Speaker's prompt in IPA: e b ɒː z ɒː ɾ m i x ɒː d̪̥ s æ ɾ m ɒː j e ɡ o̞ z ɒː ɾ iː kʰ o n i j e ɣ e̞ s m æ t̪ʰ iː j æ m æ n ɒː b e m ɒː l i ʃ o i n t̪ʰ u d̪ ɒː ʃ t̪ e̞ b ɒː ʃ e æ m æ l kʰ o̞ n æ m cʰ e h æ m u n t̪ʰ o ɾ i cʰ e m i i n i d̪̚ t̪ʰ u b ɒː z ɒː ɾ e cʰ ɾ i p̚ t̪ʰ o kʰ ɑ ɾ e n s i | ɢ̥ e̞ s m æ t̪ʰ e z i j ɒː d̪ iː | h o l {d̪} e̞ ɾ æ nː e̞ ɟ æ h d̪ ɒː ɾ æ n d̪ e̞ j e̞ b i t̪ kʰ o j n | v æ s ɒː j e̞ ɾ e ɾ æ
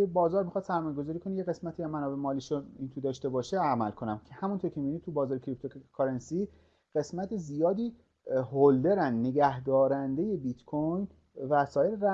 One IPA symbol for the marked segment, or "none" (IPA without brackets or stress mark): d̪